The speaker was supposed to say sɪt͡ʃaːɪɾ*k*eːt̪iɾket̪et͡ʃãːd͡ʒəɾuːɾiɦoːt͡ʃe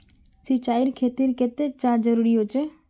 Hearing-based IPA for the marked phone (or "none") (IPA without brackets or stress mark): kʰ